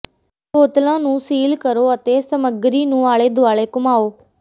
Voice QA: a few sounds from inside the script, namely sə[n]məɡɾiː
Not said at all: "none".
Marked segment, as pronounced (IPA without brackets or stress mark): none